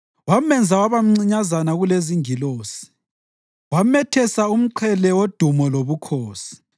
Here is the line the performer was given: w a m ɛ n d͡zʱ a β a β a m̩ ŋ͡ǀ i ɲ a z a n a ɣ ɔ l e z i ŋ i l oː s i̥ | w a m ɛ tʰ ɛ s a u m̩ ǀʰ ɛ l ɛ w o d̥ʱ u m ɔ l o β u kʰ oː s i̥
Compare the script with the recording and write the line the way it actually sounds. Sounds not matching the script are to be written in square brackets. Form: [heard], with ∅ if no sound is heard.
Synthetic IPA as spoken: w a m ɛ n d͡zʱ a [w] a β a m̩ ŋ͡ǀ i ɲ a z a n a ɣ [u] l e z i ŋ i l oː s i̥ | w a m ɛ tʰ ɛ s a u m̩ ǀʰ ɛ l ɛ w o d̥ʱ u m ɔ l o β u kʰ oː s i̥

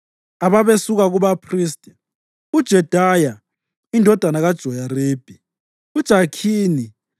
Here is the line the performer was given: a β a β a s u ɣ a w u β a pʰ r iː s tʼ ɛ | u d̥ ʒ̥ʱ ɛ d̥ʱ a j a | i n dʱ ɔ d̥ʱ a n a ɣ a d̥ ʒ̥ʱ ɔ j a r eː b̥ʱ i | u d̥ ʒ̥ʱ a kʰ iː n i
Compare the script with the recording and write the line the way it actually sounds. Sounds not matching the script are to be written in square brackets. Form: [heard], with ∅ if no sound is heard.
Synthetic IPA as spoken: a β a β [e] s u ɣ a [ɣ] u β a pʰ r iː s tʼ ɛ | u d̥ ʒ̥ʱ ɛ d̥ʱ a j a | i n dʱ ɔ d̥ʱ a n a ɣ a d̥ ʒ̥ʱ ɔ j a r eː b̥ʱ i | u d̥ ʒ̥ʱ a kʰ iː n i

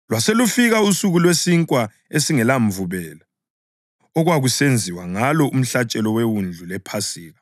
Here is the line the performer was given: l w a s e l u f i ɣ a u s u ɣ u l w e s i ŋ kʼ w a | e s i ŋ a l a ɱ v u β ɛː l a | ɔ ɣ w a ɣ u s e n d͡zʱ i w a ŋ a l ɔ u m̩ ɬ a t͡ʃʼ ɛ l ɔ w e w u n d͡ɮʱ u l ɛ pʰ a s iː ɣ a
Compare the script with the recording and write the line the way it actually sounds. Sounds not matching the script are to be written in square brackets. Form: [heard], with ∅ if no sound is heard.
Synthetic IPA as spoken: l w a s e l u f i ɣ a u s u ɣ u l w e s i ŋ kʼ w a | e s i ŋ [ɛ] l a ɱ v u β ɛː l a | ɔ ɣ w a ɣ u s e n d͡zʱ i w a ŋ a l ɔ u m̩ ɬ a t͡ʃʼ ɛ l ɔ w e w u n d͡ɮʱ u l ɛ pʰ a s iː ɣ a

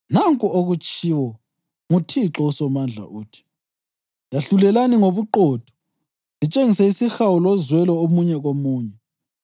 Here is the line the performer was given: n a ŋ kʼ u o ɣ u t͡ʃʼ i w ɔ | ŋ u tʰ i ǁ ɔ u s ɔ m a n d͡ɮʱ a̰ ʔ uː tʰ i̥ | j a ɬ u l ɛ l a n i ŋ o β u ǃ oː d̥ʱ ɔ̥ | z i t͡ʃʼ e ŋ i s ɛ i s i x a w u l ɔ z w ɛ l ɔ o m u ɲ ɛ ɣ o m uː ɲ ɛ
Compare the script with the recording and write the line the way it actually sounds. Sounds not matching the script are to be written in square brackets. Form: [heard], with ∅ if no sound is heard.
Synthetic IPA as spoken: n a ŋ kʼ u o ɣ u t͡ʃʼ i w ɔ | ŋ u tʰ i ǁ ɔ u s ɔ m a n d͡ɮʱ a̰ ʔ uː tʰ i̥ | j a ɬ u l ɛ l a n i ŋ o β u ǃ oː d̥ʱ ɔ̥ | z i t͡ʃʼ e ŋ i s ɛ i s i x a w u l ɔ z w ɛ l ɔ o m u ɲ ɛ ɣ o m uː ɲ ɛ

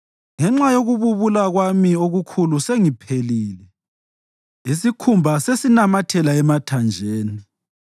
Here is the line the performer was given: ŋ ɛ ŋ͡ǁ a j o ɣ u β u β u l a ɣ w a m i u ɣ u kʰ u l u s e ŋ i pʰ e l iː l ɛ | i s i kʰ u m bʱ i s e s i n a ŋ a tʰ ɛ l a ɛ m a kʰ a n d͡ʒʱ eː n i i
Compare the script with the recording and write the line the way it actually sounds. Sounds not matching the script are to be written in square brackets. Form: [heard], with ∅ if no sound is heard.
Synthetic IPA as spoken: ŋ ɛ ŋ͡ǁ a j o ɣ u β u β u l a ɣ w a m i [o] ɣ u kʰ u l u s e ŋ i pʰ e l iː l ɛ | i s i kʰ u m bʱ [a] s e s i n a [m] a tʰ ɛ l a ɛ m a [tʰ] a n d͡ʒʱ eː n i i

